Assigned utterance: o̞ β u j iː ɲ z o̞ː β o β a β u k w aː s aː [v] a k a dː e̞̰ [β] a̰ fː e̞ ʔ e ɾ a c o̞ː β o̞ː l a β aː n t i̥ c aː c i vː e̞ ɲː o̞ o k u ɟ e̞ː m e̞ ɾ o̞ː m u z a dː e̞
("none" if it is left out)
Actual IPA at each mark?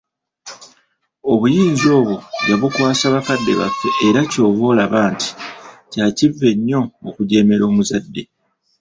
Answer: β, β

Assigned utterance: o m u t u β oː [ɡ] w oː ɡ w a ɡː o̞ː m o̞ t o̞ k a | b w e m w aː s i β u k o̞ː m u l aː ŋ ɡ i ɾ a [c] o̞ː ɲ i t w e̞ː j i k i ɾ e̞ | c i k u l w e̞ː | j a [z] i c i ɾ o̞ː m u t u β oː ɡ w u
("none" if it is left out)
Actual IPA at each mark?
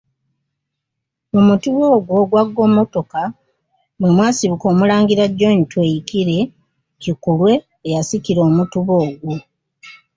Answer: ɡ, ɟ, s

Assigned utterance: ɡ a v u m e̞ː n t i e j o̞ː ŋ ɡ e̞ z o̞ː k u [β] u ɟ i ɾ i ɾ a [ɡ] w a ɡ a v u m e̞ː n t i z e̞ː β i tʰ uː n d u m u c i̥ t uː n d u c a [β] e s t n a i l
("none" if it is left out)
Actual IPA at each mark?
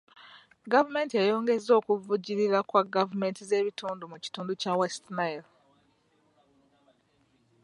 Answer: v, k, w

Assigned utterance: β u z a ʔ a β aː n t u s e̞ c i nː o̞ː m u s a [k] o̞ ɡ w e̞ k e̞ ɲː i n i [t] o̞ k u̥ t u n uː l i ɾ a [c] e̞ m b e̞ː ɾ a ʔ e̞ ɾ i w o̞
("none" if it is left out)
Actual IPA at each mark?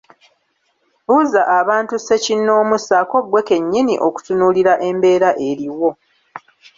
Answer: k, ʔ, ʔ

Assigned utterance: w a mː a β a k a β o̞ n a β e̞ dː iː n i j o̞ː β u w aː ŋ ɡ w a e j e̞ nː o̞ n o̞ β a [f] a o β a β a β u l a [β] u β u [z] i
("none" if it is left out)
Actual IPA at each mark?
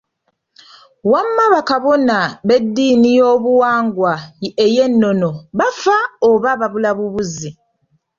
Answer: f, β, z

